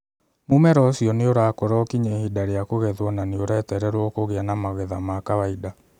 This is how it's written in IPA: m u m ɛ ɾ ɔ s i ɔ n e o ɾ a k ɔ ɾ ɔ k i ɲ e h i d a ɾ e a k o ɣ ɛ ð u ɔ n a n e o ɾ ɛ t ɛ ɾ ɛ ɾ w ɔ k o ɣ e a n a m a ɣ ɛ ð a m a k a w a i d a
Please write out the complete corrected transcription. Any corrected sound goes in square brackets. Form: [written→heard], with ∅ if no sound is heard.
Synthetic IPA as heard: m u m ɛ ɾ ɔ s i ɔ n e o ɾ a k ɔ ɾ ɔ k i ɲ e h i d a ɾ e a k o ɣ ɛ ð [u→w] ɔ n a n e o ɾ ɛ t ɛ ɾ ɛ ɾ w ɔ k o ɣ e a n a m a ɣ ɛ ð a m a k a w a i d a